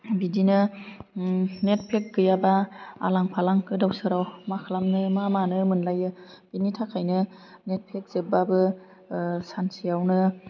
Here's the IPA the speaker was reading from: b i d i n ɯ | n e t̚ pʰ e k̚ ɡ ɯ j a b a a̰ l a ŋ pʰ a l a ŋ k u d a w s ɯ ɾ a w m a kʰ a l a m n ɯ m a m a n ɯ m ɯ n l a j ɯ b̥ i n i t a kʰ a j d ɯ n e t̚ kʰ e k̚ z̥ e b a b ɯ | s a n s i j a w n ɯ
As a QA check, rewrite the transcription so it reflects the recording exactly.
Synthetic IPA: b i d i n ɯ | n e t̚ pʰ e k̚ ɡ ɯ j a b a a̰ l a ŋ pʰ a l a ŋ k ɯ d a w s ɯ ɾ a w m a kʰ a l a m n ɯ m a m a n ɯ m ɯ n l a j ɯ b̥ i n i tʰ a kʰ a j n ɯ n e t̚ pʰ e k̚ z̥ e b a b ɯ | s a n s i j a w n ɯ